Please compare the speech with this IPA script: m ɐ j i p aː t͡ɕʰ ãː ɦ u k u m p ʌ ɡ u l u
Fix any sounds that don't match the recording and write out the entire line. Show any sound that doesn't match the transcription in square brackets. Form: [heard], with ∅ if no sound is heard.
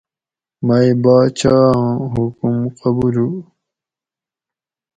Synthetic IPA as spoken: m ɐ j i [b] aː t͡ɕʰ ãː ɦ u k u m [q] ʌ [b] u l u